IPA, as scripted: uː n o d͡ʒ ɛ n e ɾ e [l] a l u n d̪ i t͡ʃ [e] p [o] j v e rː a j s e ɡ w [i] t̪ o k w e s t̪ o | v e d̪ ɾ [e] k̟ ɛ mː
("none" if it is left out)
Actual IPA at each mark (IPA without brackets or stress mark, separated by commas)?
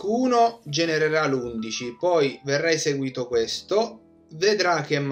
ɾ, i, ɔ, iː, a